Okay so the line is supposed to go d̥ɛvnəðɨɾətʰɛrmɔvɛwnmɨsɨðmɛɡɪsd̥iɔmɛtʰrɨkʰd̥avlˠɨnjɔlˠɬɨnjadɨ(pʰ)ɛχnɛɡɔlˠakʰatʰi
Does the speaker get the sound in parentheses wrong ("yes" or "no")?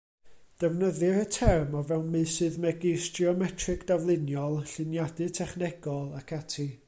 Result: yes